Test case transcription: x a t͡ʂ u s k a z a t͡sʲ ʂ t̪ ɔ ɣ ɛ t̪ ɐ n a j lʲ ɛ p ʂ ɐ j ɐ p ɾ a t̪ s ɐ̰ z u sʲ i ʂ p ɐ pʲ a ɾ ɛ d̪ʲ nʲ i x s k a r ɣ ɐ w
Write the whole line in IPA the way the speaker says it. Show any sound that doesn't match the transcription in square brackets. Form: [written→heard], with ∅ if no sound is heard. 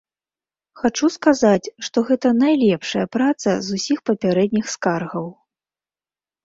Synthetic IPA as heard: x a t͡ʂ u s k a z a t͡sʲ ʂ t̪ ɔ ɣ ɛ t̪ ɐ n a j lʲ ɛ p ʂ ɐ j ɐ p ɾ a t̪ s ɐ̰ z u sʲ i [ʂ→x] p ɐ pʲ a ɾ ɛ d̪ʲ nʲ i x s k a r ɣ ɐ w